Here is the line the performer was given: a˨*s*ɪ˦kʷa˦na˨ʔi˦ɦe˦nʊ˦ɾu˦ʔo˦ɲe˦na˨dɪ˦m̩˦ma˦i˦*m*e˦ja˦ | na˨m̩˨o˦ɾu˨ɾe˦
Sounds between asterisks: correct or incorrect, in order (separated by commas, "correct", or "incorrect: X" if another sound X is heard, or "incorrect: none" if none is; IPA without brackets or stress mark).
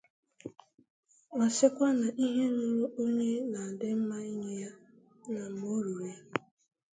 correct, incorrect: ɲ